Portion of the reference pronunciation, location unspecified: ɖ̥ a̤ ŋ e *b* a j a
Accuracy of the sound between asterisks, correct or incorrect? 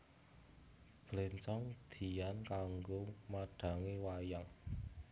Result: incorrect